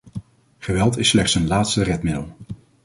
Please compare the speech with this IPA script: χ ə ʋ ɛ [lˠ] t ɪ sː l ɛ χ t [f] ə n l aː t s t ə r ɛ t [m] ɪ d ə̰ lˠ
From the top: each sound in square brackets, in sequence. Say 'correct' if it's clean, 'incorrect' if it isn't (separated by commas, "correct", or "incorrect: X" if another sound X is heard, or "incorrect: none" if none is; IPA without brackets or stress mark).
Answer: correct, incorrect: s, correct